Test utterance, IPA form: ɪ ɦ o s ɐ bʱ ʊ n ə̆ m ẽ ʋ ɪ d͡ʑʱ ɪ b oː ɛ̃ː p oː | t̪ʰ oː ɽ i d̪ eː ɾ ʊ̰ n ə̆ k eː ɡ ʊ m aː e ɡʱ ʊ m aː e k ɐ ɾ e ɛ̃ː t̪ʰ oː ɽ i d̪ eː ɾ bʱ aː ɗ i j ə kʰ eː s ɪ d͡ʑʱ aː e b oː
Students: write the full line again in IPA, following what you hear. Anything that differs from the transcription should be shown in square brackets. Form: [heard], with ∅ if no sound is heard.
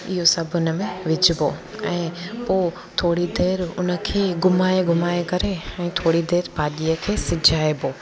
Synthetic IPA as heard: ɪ ɦ o s ɐ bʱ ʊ n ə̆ m ẽ ʋ ɪ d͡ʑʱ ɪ b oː ɛ̃ː p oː | t̪ʰ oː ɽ i d̪ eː ɾ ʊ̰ n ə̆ [kʰ] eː ɡ ʊ m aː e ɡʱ ʊ m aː e k ɐ ɾ e ɛ̃ː t̪ʰ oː ɽ i d̪ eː ɾ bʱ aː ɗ i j ə kʰ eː s ɪ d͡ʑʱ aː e b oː